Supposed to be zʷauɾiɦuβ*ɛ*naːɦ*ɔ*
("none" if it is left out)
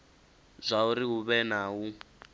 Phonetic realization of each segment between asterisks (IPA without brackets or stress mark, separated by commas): ɛ, u